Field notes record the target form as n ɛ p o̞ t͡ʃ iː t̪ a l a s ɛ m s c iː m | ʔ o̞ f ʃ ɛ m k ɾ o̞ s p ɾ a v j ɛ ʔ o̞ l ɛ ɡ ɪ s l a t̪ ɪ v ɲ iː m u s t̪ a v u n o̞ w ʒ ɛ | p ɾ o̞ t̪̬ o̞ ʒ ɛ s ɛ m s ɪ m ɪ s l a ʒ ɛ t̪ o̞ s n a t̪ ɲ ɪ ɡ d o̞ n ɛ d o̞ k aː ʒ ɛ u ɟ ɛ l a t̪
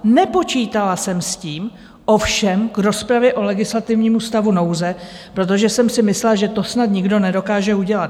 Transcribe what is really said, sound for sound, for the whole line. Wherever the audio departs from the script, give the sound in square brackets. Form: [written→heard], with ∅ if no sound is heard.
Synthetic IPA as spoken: n ɛ p o̞ t͡ʃ iː t̪ a l a s ɛ m s c iː m | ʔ o̞ f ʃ ɛ m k ɾ o̞ s p ɾ a v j ɛ ʔ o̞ l ɛ ɡ ɪ s l a t̪ ɪ v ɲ iː m u s t̪ a v u n o̞ w [ʒ→z] ɛ | p ɾ o̞ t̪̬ o̞ ʒ ɛ s ɛ m s ɪ m ɪ s l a ʒ ɛ t̪ o̞ s n a t̪ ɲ ɪ ɡ d o̞ n ɛ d o̞ k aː ʒ ɛ u ɟ ɛ l a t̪

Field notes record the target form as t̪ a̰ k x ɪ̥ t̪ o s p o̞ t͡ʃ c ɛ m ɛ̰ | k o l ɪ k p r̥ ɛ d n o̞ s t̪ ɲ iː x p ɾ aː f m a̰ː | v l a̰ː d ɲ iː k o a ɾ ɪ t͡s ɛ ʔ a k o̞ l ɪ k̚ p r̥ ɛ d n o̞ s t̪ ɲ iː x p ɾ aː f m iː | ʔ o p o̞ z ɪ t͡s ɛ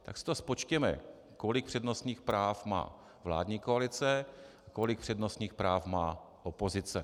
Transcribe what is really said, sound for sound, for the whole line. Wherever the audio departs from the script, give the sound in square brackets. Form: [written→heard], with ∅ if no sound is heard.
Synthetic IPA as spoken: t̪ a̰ k [x→s] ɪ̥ t̪ o s p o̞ t͡ʃ c ɛ m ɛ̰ | k o l ɪ k p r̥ ɛ d n o̞ s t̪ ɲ iː x p ɾ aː f m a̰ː | v l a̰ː d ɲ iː k o a [ɾ→l] ɪ t͡s ɛ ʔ a k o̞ l ɪ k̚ p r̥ ɛ d n o̞ s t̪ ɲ iː x p ɾ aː f m [iː→aː] | ʔ o p o̞ z ɪ t͡s ɛ

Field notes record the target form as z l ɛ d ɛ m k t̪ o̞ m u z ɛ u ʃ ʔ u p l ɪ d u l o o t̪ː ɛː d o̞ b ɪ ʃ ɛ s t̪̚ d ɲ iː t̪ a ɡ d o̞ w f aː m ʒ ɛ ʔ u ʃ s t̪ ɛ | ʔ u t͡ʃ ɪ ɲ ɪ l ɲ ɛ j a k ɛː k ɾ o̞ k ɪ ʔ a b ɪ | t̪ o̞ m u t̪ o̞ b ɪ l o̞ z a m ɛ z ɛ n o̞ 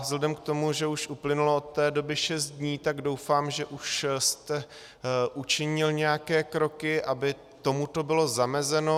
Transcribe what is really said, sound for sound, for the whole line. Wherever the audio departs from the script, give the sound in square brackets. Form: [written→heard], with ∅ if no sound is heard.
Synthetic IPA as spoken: z l ɛ d ɛ m k t̪ o̞ m u [z→ʒ] ɛ u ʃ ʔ u p l ɪ [d→n] u l o o t̪ː ɛː d o̞ b ɪ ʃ ɛ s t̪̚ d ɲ iː t̪ a ɡ d o̞ w f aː m ʒ ɛ ʔ u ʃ s t̪ ɛ | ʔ u t͡ʃ ɪ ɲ ɪ l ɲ ɛ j a k ɛː k ɾ o̞ k ɪ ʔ a b ɪ | t̪ o̞ m u t̪ o̞ b ɪ l o̞ z a m ɛ z ɛ n o̞

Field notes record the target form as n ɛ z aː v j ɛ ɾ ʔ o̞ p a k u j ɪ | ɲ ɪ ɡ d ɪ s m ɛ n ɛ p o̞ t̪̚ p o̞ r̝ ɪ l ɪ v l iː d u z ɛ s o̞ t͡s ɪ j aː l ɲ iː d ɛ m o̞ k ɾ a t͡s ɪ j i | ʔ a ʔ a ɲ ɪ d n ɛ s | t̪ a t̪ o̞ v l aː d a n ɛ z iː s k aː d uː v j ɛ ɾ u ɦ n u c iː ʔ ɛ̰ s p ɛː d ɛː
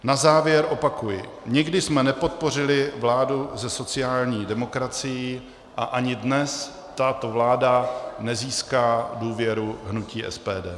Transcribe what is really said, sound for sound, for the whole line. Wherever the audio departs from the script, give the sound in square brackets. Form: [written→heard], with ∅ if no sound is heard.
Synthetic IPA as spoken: n [ɛ→a] z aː v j ɛ ɾ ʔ o̞ p a k u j ɪ | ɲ ɪ ɡ d ɪ s m ɛ n ɛ p o̞ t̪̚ p o̞ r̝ ɪ l ɪ v l [iː→aː] d u z ɛ s o̞ t͡s ɪ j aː l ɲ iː d ɛ m o̞ k ɾ a t͡s ɪ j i | ʔ a ʔ a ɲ ɪ d n ɛ s | t̪ a t̪ o̞ v l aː d a n ɛ z iː s k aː d uː v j ɛ ɾ u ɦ n u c iː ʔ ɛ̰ s p ɛː d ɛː

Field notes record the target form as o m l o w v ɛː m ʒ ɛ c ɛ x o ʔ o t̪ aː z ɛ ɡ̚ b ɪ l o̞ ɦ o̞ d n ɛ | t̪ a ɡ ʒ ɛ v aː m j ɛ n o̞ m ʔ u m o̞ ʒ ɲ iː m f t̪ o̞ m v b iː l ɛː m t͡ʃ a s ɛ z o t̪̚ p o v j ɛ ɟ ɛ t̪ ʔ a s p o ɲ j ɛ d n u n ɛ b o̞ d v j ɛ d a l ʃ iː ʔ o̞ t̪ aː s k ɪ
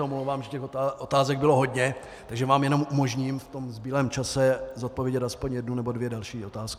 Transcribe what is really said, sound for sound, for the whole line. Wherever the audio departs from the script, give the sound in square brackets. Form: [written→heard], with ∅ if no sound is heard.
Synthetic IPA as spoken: o m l o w v [ɛː→aː] m ʒ ɛ c ɛ x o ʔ o t̪ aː z ɛ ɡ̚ b ɪ l o̞ ɦ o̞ d [n→ɲ] ɛ | t̪ a ɡ ʒ ɛ v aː m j ɛ n o̞ m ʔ u m o̞ ʒ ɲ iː m f t̪ o̞ m [v→z] b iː l ɛː m t͡ʃ a s ɛ z o t̪̚ p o v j ɛ ɟ ɛ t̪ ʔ a s p o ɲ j ɛ d n u n ɛ b o̞ d v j ɛ d a l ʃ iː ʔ o̞ t̪ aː s k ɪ

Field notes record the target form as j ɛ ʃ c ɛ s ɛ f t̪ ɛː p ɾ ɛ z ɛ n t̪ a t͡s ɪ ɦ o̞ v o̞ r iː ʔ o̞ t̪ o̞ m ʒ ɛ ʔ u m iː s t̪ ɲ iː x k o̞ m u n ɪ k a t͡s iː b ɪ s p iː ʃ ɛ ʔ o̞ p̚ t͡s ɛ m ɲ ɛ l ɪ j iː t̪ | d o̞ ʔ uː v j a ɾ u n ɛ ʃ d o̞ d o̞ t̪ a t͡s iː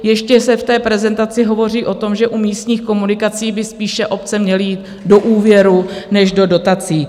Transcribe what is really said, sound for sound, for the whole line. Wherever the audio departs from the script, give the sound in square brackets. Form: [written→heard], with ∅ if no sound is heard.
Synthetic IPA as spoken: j ɛ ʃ c ɛ s ɛ f t̪ ɛː p ɾ ɛ z ɛ n t̪ a t͡s ɪ ɦ o̞ v o̞ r iː ʔ o̞ t̪ o̞ m ʒ ɛ ʔ u m iː s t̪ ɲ iː x k o̞ m u n ɪ k a t͡s iː b ɪ s p iː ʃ ɛ ʔ o̞ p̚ t͡s ɛ m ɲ ɛ l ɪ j iː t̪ | d o̞ ʔ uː v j [a→ɛ] ɾ u n ɛ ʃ d o̞ d o̞ t̪ a t͡s iː

